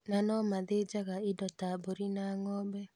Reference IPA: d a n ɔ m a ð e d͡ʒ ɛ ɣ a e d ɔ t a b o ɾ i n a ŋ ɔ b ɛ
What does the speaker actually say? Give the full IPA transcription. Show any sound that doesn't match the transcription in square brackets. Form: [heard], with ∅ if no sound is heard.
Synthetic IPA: [n] a n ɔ m a ð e d͡ʒ [a] ɣ a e d ɔ t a b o ɾ i n a ŋ ɔ b ɛ